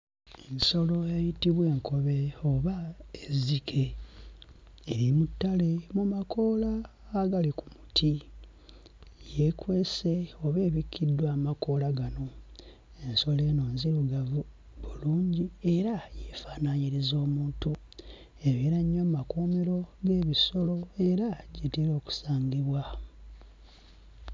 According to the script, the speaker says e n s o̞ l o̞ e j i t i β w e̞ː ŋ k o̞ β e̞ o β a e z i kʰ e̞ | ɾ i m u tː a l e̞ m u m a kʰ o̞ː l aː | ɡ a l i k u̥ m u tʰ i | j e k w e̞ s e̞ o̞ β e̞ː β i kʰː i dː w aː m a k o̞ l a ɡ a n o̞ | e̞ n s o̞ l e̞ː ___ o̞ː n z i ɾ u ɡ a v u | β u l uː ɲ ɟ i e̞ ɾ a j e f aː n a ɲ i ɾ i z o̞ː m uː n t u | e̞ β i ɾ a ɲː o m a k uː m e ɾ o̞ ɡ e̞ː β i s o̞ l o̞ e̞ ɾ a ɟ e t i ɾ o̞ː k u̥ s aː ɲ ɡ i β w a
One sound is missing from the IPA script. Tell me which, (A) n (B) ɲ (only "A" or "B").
A